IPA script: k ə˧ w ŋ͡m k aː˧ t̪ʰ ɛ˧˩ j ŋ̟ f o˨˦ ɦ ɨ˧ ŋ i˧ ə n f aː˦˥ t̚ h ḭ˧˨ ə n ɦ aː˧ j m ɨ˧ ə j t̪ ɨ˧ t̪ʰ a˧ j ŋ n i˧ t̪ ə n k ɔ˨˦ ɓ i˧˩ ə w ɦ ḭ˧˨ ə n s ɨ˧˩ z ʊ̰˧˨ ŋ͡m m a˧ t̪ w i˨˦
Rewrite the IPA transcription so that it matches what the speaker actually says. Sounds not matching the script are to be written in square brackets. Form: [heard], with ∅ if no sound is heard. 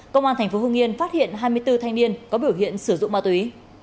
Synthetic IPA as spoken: k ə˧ w ŋ͡m [ʔ] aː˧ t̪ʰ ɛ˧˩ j ŋ̟ f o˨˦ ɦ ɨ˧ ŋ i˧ ə n f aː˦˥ t̚ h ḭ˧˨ ə n ɦ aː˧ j m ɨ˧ ə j t̪ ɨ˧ t̪ʰ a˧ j ŋ n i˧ [∅] ə n k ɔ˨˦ ɓ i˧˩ ə w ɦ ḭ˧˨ ə n s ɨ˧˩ z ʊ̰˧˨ ŋ͡m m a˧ t̪ w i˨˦